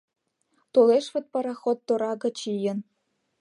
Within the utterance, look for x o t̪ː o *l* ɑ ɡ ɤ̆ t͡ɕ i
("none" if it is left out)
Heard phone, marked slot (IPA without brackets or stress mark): ɾ